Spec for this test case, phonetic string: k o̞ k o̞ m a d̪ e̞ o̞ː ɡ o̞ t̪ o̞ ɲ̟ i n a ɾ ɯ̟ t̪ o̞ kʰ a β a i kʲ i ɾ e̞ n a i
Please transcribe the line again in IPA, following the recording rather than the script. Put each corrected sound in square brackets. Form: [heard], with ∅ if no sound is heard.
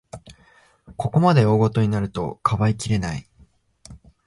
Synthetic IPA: k o̞ k o̞ m a d̪ e̞ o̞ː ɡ o̞ t̪ o̞ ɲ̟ i n a ɾ ɯ̟ t̪ o̞ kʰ a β a i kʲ i ɾ e̞ n a i